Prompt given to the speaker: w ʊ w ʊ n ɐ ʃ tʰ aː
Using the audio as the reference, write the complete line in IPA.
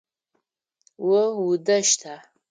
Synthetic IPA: w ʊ w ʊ d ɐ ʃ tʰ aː